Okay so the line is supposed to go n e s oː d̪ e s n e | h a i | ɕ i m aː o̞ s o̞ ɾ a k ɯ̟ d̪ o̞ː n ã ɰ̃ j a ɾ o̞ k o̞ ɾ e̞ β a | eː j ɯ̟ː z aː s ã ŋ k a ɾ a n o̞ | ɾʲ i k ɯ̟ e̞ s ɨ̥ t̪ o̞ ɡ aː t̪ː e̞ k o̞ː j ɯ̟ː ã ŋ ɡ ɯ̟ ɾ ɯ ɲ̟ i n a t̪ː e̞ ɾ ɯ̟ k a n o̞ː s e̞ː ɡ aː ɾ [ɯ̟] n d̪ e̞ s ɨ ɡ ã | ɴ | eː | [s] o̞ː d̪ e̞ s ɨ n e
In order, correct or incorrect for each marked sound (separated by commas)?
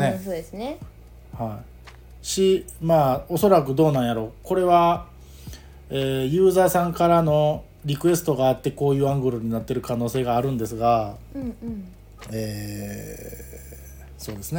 incorrect, correct